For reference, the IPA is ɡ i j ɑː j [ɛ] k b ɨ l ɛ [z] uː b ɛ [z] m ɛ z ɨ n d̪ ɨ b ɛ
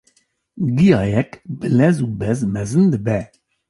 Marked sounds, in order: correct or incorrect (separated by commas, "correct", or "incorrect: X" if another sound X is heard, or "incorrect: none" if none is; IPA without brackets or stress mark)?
correct, correct, correct